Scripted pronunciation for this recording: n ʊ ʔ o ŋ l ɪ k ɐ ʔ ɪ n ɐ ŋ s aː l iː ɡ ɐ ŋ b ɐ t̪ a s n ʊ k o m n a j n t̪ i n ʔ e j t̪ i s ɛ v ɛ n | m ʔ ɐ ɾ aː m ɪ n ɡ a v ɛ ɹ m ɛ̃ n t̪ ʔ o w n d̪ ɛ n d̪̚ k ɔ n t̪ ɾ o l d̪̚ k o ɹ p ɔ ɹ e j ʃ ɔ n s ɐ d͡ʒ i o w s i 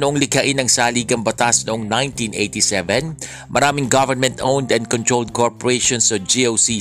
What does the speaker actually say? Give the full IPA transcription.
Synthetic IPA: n ʊ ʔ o ŋ l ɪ k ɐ ʔ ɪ n ɐ ŋ s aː l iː ɡ ɐ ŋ b ɐ t̪ a s n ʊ ʔ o ŋ n a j n t̪ i n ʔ e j t̪ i s ɛ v ɛ n | m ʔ ɐ ɾ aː m ɪ ŋ ɡ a v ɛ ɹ m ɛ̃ n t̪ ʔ o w n d̪ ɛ n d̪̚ k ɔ n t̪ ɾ o l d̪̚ k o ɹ p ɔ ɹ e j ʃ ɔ n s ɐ d͡ʒ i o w s i